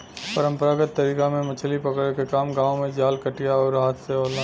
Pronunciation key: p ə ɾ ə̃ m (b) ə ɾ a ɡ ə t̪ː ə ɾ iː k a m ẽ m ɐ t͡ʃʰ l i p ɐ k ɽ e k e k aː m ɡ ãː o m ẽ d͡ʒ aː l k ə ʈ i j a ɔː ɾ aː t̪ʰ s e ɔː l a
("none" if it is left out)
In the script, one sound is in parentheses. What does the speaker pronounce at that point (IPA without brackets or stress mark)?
p